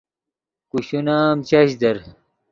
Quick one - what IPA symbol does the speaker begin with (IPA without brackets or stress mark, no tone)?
k